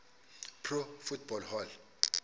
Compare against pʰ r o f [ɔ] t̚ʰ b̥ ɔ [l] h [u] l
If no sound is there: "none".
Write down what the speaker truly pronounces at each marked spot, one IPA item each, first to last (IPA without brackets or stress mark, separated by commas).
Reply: u, l, ɔ